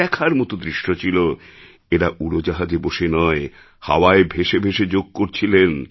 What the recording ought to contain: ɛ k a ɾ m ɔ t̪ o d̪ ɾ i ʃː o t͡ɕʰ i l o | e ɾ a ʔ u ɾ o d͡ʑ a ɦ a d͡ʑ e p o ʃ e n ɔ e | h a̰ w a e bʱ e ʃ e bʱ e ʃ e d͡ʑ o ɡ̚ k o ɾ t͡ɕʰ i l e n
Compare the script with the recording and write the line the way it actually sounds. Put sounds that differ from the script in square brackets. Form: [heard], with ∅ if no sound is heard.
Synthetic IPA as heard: ɛ [kʰ] a ɾ m ɔ t̪ o d̪ ɾ i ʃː o t͡ɕʰ i l o | e ɾ a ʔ u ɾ o d͡ʑ a ɦ a d͡ʑ e [b] o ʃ e n ɔ e | h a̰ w a e bʱ e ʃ e bʱ e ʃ e d͡ʑ o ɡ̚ k o ɾ t͡ɕʰ i l e n